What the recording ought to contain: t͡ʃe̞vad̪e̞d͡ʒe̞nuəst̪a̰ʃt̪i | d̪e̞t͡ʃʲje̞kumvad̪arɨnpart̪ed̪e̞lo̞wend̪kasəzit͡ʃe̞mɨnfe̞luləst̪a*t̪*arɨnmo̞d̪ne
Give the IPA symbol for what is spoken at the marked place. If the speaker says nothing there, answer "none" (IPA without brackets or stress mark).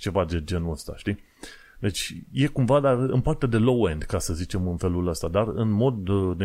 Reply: d̪